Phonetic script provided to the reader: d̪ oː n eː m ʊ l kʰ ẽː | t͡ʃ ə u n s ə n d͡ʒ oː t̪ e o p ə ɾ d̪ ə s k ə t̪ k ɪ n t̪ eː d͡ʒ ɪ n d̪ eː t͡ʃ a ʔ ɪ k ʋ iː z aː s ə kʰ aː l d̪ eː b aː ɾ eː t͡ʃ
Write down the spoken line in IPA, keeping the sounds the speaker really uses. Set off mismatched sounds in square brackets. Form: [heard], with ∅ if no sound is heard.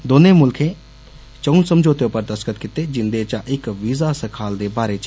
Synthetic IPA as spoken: d̪ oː n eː m ʊ l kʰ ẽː | t͡ʃ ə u n s ə [m] d͡ʒ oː t̪ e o p ə ɾ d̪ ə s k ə t̪ k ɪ [∅] t̪ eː d͡ʒ ɪ n d̪ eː t͡ʃ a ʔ ɪ k ʋ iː z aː s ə kʰ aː l d̪ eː b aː ɾ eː t͡ʃ